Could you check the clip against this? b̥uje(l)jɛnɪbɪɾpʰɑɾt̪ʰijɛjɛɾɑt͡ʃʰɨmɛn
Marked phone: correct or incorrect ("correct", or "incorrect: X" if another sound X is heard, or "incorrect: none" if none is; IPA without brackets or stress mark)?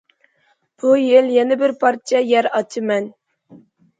correct